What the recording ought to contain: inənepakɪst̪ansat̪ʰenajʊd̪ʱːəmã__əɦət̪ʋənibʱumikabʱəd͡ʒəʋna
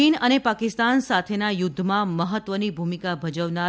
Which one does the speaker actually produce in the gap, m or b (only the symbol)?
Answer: m